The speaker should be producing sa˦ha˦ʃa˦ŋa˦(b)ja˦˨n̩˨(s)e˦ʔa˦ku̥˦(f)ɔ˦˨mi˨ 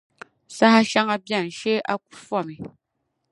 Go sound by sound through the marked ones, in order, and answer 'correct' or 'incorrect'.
correct, incorrect: ʃ, correct

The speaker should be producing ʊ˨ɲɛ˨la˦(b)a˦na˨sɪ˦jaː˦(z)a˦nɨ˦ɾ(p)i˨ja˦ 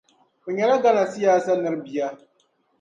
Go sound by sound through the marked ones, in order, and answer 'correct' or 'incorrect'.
incorrect: ɡ, incorrect: s, incorrect: b

